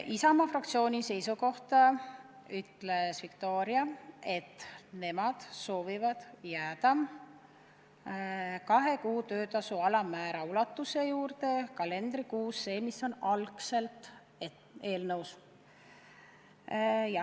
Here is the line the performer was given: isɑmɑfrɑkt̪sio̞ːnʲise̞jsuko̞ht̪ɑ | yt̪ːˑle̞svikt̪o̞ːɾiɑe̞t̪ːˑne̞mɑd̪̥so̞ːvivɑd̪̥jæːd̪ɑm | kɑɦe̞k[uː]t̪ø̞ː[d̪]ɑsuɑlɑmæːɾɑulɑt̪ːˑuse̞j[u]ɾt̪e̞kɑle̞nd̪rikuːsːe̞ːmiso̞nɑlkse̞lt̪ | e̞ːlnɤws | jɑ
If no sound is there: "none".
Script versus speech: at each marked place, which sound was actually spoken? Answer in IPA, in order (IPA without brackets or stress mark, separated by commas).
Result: uː, t̪, uː